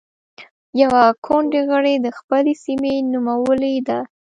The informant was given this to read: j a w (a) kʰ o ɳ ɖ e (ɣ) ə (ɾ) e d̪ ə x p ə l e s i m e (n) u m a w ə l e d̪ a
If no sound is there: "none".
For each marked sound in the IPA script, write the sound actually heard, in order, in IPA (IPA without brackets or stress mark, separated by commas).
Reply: a, ɣ, ɽ, n